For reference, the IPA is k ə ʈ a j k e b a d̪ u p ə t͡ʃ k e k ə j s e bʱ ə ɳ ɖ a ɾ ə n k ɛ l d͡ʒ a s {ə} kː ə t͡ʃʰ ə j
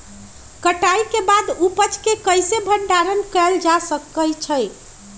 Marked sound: correct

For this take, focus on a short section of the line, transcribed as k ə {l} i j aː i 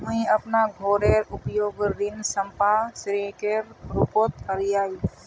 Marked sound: incorrect: ɾ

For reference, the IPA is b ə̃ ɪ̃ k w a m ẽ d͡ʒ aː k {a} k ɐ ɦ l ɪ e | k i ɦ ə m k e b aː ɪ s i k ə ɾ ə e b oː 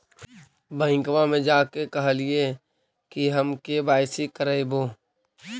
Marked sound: incorrect: e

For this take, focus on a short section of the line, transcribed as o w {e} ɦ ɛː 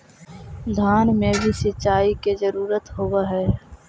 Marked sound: incorrect: a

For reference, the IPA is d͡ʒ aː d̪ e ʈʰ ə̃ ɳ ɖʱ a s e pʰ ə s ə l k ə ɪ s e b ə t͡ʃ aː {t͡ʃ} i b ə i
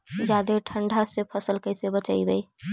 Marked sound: incorrect: none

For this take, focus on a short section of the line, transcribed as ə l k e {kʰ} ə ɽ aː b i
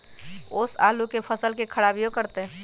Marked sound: correct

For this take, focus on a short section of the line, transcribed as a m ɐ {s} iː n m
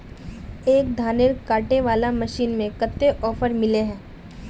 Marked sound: incorrect: ʃ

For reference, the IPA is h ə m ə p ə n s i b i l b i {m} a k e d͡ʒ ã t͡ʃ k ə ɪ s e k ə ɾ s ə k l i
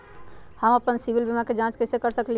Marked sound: correct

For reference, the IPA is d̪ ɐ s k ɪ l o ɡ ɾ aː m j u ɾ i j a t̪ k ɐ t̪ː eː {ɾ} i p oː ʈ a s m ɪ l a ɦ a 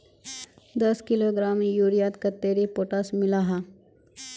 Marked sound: correct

